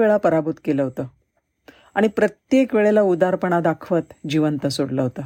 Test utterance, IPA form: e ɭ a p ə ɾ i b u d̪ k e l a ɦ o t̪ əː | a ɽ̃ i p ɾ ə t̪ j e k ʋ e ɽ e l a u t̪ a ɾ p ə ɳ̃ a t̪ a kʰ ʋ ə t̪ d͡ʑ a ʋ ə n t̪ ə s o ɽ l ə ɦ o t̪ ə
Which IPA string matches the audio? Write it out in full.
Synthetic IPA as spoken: e ɭ a p ə ɾ a b u t̪ k e l ə ɦ o t̪ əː | a ɽ̃ i p ɾ ə t̪ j e k ʋ e ɭ e l a u d̪ a ɾ p ə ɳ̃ a d̪ a kʰ ʋ ə t̪ d͡ʑ i ʋ ə n t̪ ə s o ɽ l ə ɦ o t̪ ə